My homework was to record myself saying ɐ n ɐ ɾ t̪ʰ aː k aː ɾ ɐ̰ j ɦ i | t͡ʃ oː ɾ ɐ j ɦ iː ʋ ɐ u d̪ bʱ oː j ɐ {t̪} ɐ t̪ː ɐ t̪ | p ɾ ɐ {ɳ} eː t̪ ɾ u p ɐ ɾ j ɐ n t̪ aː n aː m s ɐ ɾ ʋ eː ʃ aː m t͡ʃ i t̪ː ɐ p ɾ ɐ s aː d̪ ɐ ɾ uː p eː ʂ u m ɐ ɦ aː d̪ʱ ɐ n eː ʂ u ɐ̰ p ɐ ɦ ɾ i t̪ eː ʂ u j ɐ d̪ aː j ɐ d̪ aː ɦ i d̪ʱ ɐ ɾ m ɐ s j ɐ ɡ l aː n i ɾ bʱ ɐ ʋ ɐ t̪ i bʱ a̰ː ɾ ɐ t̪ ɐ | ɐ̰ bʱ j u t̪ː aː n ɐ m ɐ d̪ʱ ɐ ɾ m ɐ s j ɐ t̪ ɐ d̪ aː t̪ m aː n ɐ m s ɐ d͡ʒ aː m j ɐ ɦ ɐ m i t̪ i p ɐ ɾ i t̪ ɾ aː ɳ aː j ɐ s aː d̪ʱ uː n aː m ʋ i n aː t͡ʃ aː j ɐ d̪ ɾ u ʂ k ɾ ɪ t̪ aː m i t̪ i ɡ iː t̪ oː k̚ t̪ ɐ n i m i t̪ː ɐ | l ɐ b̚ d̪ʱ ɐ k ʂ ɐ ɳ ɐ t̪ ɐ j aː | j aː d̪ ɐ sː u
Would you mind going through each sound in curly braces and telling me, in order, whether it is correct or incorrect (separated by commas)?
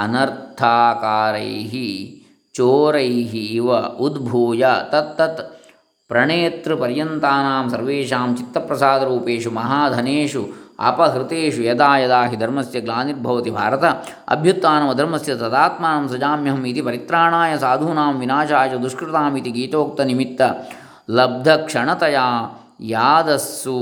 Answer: correct, correct